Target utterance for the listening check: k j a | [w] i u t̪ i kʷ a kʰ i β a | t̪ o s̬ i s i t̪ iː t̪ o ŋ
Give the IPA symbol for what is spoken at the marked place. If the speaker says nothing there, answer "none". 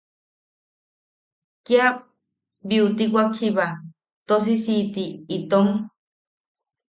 b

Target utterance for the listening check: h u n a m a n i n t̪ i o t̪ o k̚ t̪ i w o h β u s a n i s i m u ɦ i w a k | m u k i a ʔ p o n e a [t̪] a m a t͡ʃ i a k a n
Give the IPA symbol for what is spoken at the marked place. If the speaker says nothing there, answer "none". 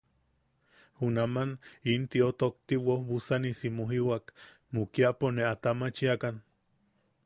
t̪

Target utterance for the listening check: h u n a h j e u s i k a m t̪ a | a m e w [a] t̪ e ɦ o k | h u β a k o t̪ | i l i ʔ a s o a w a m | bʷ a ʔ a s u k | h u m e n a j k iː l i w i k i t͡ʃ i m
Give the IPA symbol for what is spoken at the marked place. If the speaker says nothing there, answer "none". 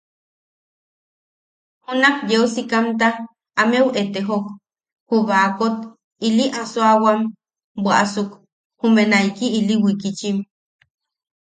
e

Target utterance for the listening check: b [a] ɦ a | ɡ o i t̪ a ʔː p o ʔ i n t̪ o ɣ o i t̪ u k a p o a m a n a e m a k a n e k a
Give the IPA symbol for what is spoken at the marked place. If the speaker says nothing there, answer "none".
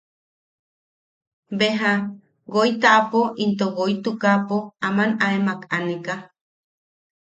e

